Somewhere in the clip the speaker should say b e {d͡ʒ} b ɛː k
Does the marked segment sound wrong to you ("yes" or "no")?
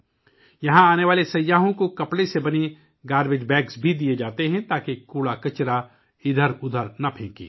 no